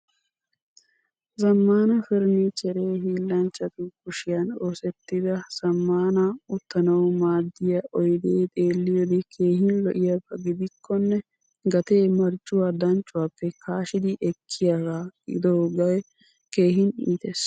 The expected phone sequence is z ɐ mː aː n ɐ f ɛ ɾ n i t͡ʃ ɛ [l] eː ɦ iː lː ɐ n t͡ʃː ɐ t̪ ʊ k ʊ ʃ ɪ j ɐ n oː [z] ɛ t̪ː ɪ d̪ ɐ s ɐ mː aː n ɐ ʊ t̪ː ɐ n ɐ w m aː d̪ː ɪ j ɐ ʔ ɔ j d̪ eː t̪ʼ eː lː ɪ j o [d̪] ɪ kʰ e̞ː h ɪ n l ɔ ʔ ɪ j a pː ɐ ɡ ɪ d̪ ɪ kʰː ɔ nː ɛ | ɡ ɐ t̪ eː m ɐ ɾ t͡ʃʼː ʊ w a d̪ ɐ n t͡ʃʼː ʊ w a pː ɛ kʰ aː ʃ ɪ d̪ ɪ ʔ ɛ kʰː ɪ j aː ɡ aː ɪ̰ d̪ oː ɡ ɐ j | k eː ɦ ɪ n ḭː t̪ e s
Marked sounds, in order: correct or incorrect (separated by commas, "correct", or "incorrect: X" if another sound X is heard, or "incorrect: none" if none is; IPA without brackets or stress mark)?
incorrect: ɾ, incorrect: s, correct